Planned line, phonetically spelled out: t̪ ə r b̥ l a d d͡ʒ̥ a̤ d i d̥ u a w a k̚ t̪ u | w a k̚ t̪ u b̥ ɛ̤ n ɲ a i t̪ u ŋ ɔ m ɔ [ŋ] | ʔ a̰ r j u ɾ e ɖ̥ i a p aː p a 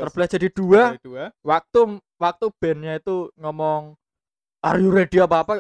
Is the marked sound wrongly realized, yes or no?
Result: no